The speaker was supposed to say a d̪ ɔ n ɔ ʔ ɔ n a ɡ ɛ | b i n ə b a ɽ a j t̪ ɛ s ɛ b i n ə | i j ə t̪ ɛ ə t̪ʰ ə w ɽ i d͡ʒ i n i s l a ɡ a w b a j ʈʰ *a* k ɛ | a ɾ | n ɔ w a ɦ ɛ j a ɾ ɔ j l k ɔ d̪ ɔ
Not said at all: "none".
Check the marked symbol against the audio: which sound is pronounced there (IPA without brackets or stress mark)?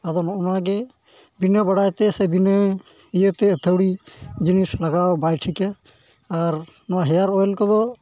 i